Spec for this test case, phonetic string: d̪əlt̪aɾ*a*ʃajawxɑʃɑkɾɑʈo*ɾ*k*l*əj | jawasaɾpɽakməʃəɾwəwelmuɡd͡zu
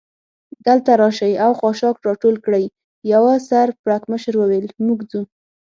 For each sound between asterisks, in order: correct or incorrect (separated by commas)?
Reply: incorrect, incorrect, incorrect